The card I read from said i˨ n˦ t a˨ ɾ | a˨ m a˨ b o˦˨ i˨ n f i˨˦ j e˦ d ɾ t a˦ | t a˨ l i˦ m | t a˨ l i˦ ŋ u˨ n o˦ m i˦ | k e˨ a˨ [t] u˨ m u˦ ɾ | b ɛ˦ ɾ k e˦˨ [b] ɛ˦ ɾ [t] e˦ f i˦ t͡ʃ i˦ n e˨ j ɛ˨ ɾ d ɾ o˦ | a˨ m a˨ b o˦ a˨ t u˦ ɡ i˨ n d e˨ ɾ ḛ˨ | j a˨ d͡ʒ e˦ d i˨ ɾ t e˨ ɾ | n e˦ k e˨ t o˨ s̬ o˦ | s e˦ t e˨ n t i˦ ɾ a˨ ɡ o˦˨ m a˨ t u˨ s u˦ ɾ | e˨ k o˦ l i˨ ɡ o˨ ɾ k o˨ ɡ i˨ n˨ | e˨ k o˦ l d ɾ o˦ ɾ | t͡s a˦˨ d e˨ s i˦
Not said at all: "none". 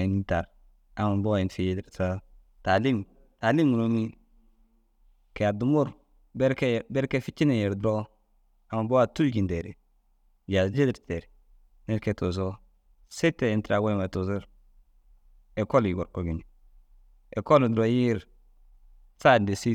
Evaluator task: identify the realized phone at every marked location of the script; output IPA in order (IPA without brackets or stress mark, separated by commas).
d, b, k